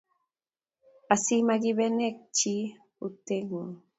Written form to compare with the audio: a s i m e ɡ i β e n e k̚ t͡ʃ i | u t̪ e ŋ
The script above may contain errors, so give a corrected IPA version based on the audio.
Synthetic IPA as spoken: a s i m a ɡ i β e n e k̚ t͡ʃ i | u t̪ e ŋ

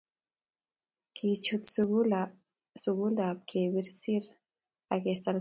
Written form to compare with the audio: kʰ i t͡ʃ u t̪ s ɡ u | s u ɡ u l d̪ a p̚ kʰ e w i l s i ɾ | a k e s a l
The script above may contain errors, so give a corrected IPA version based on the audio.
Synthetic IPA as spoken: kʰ i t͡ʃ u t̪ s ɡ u | s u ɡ u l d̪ a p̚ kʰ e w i ɾ s i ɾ | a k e s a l

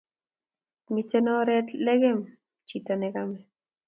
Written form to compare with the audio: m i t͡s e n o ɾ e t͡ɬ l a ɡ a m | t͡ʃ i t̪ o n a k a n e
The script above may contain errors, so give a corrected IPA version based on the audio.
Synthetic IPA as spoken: m i t͡s e n o ɾ e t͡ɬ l e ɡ e m | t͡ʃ i t̪ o n e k a m e

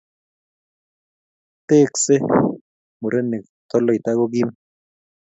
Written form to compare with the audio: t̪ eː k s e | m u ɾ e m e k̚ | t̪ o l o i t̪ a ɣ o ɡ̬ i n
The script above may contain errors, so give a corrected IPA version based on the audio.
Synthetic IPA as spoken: t̪ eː k s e | m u ɾ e n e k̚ | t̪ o l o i t̪ a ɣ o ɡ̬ i m

